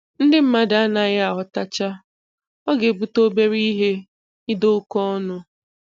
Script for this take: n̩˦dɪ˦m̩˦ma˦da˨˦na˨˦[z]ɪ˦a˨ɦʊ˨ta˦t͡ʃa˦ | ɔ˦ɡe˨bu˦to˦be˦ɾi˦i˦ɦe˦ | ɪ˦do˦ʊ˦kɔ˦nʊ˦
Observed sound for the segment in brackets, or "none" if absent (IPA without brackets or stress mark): ɣ